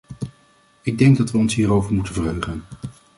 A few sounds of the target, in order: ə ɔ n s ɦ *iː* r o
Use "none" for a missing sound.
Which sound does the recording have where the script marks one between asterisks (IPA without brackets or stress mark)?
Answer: iː